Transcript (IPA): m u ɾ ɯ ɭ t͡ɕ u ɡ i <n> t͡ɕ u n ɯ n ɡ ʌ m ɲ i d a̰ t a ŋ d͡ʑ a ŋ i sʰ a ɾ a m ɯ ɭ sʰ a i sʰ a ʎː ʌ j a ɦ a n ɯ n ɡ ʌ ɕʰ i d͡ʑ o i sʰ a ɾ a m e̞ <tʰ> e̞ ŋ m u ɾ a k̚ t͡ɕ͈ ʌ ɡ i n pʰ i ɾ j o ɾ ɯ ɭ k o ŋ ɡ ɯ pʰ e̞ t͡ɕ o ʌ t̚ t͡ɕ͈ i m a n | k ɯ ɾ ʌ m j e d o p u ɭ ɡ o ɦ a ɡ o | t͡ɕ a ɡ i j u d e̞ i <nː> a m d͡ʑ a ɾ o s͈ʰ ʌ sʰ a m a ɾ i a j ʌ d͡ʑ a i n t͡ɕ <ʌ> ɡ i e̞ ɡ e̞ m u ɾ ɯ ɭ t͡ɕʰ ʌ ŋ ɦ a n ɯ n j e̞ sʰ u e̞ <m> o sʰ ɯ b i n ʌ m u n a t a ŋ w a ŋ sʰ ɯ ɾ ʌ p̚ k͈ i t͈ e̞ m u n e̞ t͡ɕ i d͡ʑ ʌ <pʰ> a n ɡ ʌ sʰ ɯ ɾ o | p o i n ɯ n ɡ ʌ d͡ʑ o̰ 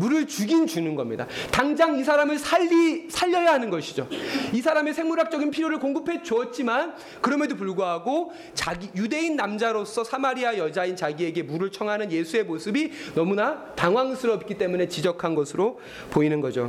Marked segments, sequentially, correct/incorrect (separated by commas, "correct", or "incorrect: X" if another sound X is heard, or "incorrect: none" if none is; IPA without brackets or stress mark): correct, incorrect: sʰ, correct, incorrect: a, correct, incorrect: kʰ